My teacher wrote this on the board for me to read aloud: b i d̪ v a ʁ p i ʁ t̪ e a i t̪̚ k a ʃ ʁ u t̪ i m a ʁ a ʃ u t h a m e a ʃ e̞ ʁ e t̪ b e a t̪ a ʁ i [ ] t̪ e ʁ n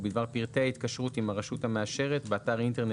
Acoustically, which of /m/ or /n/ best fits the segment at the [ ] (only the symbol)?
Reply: n